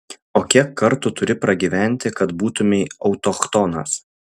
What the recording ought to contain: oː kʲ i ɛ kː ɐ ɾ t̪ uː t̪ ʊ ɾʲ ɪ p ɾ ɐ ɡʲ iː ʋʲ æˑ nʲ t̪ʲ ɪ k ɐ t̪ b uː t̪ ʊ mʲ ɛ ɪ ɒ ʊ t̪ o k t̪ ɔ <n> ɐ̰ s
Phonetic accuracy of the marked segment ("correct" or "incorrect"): correct